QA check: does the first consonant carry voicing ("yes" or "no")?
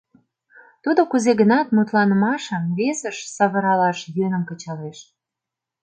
no